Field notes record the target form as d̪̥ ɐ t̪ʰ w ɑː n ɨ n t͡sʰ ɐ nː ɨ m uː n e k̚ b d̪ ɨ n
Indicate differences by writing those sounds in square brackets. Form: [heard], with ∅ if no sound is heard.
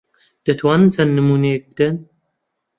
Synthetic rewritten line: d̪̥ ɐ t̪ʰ w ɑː n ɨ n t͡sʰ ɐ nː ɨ m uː n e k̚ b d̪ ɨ n